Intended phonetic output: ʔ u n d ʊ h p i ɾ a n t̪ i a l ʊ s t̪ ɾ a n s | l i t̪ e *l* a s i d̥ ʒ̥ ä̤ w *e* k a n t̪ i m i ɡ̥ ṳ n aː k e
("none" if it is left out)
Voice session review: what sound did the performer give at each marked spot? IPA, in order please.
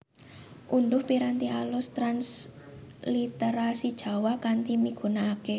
ɾ, a

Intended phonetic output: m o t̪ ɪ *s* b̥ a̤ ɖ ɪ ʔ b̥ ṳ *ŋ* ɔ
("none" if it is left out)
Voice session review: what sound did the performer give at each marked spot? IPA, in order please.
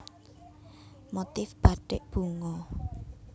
f, ŋ

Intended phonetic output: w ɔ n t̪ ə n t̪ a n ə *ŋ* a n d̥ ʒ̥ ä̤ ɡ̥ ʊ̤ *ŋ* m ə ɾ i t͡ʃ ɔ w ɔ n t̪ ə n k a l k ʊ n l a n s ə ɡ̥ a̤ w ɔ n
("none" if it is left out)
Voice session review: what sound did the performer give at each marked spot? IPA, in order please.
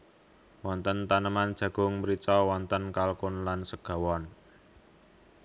m, ŋ

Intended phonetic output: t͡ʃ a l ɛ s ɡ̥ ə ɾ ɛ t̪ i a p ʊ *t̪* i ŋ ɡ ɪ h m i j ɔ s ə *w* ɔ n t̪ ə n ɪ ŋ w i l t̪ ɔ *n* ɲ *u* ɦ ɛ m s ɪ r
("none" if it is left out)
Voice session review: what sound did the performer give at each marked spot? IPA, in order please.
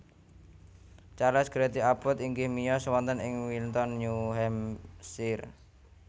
t̪, w, n, u

